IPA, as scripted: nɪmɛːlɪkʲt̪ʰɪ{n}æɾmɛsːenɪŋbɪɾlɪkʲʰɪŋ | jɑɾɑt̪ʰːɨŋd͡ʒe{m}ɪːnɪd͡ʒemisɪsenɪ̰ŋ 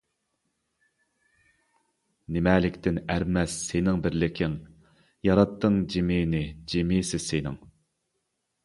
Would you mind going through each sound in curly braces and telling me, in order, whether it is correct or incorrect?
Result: correct, correct

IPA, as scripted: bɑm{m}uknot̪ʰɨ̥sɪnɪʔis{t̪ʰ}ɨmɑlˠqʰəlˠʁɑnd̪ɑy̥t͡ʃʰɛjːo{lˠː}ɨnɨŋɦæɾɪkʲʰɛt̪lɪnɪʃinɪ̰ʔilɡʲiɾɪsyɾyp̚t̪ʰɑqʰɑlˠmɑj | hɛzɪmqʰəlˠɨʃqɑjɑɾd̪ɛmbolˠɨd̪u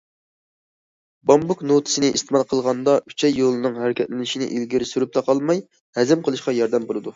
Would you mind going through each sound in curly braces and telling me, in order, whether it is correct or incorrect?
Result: incorrect: b, incorrect: t̪, incorrect: lˠ

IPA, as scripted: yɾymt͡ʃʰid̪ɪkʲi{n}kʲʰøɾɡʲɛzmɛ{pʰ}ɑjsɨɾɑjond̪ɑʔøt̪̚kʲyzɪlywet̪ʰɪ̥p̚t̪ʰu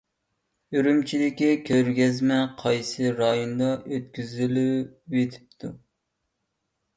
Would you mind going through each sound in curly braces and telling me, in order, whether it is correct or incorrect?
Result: incorrect: none, incorrect: qʰ

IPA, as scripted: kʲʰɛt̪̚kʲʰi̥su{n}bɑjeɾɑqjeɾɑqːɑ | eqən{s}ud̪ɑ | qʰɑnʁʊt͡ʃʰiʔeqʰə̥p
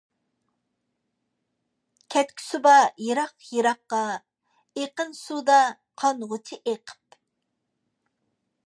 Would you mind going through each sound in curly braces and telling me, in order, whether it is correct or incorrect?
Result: incorrect: none, correct

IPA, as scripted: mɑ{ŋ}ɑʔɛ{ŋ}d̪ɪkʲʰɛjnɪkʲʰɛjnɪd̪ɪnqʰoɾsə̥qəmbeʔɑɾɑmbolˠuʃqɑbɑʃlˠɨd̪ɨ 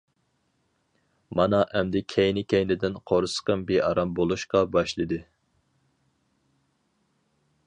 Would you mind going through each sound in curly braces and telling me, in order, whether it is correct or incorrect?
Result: incorrect: n, incorrect: m

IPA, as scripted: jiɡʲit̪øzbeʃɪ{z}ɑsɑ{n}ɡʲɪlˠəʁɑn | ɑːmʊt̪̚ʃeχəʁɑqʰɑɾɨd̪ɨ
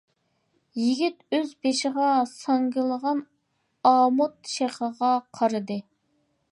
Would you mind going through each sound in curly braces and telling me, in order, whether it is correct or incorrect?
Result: incorrect: ʁ, incorrect: ŋ

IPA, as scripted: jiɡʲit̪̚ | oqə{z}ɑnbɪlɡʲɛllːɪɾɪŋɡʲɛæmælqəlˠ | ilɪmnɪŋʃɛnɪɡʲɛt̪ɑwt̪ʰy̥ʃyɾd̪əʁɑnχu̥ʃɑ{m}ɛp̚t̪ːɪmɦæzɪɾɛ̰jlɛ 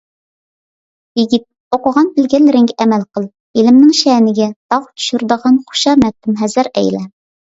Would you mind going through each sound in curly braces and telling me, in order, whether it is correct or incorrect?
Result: incorrect: ʁ, correct

